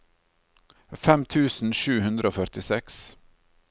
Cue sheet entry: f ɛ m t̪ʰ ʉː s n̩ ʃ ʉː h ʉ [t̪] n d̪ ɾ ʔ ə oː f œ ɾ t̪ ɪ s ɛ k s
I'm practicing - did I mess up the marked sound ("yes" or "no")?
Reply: yes